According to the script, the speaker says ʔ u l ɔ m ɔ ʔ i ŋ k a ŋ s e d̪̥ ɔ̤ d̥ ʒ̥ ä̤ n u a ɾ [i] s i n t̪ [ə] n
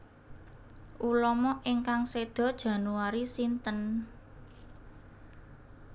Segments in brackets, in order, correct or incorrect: correct, correct

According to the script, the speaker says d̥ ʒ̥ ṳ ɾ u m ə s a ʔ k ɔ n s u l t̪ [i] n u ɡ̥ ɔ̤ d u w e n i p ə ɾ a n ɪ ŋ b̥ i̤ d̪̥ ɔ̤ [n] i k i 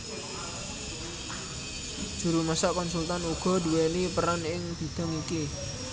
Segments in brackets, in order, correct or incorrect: incorrect, incorrect

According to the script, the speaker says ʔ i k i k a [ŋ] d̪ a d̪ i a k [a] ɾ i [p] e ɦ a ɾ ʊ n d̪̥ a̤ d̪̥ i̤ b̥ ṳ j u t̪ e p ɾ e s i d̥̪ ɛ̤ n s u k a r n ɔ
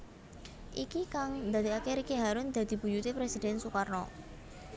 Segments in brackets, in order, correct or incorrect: correct, incorrect, incorrect

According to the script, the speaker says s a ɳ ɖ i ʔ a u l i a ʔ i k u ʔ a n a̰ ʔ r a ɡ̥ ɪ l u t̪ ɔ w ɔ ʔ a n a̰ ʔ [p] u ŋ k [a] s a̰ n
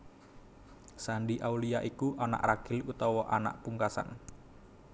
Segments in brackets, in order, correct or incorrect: correct, correct

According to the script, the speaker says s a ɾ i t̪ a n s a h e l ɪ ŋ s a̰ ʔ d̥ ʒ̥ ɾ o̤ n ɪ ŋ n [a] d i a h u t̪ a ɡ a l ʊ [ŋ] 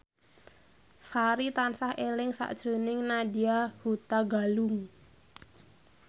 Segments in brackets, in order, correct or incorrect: correct, correct

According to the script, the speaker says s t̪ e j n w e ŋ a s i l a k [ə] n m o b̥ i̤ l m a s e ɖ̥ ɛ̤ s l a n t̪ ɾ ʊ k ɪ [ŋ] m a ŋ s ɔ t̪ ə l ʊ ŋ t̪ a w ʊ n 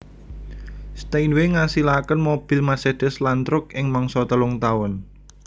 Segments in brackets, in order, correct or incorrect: correct, correct

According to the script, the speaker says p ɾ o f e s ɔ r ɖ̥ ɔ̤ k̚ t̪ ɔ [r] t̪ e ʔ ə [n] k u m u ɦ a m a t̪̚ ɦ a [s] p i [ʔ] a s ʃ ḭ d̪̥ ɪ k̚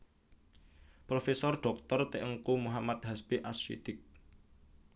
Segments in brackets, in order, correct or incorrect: correct, incorrect, correct, correct

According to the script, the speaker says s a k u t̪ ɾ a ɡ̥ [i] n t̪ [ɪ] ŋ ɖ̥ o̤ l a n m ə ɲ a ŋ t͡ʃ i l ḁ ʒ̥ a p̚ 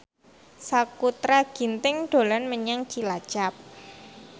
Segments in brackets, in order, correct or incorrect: correct, correct

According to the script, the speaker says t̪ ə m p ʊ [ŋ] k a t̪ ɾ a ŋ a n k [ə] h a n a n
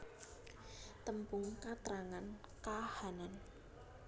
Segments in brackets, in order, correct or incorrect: correct, incorrect

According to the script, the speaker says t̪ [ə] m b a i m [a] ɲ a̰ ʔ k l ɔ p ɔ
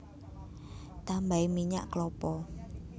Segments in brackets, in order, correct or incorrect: incorrect, incorrect

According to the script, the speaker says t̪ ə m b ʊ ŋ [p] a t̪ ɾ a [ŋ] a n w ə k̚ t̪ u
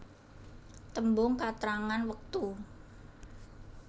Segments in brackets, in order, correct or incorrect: incorrect, correct

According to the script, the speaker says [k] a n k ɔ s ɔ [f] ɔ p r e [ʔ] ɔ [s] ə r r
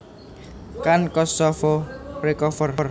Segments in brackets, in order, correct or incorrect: correct, correct, incorrect, incorrect

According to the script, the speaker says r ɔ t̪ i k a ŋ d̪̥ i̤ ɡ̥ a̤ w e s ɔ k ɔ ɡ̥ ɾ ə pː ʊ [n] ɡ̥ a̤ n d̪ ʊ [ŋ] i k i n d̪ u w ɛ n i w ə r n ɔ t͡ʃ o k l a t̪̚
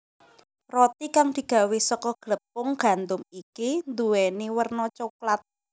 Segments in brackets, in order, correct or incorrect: incorrect, incorrect

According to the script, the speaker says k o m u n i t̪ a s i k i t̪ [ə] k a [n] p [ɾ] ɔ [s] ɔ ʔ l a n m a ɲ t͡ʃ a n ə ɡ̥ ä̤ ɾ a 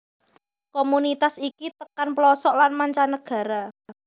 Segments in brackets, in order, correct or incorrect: correct, correct, incorrect, correct

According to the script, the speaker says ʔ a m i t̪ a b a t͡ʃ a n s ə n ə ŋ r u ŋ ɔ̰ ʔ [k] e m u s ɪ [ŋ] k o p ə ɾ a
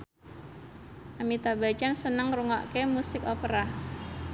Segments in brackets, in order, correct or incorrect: correct, incorrect

